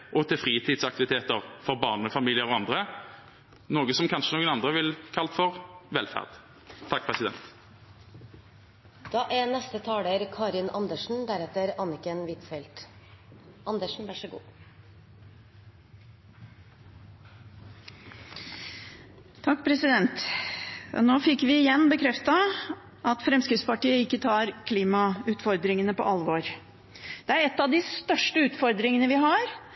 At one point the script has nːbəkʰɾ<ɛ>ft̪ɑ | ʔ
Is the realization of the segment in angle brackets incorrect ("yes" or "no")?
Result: no